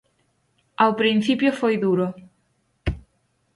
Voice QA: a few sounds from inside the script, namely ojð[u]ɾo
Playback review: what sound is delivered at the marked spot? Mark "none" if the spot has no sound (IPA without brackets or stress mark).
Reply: u